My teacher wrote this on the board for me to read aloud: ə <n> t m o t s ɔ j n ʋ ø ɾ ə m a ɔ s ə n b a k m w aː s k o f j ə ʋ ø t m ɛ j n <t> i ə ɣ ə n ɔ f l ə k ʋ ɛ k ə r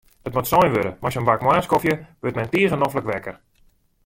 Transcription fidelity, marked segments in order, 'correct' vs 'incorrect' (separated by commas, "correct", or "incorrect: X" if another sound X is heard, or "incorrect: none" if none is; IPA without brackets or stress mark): incorrect: none, correct